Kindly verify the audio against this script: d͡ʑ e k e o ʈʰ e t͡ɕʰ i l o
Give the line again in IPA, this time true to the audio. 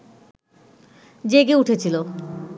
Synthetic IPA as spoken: d͡ʑ e ɡ e u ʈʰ e t͡ɕʰ i l o